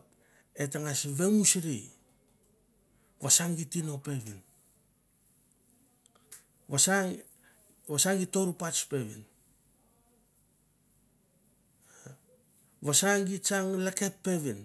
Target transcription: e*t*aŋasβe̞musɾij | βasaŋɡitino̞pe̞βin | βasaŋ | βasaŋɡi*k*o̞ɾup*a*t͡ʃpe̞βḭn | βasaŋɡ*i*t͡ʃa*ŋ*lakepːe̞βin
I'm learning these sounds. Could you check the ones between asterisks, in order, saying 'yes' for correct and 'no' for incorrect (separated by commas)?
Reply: yes, no, yes, yes, yes